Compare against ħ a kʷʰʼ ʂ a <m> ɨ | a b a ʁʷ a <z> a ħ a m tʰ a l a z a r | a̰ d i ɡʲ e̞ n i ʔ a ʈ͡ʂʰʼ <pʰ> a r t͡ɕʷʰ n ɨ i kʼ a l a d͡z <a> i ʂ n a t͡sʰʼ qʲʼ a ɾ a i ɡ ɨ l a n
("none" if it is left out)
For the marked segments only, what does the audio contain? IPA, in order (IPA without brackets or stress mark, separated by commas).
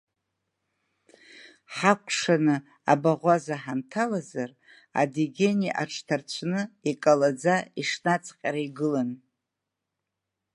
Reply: n, z, tʰ, a